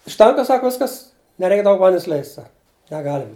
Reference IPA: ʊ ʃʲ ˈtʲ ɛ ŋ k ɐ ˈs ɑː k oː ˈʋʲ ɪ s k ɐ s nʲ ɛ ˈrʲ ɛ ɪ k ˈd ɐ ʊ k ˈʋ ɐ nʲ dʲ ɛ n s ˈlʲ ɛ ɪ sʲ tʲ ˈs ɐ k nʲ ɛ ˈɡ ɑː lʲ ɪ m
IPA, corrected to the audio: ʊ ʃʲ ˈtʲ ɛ ŋ k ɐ ˈs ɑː k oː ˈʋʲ ɪ s k ɐ s nʲ ɛ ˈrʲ ɛ ɪ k ˈd ɐ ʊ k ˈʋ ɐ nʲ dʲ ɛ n s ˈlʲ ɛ ɪ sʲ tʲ ˈs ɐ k nʲ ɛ ˈɡ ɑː lʲ ɪ m